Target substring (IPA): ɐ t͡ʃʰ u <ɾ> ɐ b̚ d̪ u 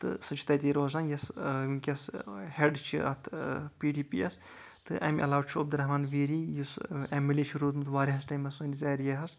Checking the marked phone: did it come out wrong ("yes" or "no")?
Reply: yes